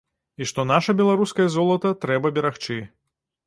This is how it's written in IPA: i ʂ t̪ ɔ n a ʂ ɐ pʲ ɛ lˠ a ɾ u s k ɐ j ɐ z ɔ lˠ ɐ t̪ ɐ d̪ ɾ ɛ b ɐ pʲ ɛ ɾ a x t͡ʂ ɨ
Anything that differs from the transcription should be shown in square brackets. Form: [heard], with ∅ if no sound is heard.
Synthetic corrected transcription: i ʂ t̪ ɔ n a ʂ ɐ [bʲ] ɛ lˠ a ɾ u s k ɐ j ɐ z ɔ lˠ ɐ t̪ ɐ [t̪] ɾ ɛ b ɐ [bʲ] ɛ ɾ a x t͡ʂ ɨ